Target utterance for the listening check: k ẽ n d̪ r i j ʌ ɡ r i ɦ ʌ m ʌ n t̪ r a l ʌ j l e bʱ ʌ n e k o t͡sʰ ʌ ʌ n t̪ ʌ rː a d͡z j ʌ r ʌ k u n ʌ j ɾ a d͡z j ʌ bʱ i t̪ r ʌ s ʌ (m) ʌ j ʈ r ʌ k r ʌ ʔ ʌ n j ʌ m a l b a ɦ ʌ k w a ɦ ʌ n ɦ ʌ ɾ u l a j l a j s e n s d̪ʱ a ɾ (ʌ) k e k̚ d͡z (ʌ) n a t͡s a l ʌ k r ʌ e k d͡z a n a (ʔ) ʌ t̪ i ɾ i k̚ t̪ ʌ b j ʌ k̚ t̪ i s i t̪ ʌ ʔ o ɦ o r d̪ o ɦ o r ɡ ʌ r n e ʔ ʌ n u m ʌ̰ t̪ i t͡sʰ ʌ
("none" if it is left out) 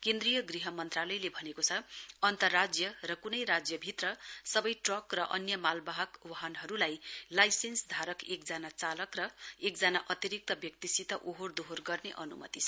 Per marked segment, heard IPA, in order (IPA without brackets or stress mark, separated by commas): b, ʌ, a, ʔ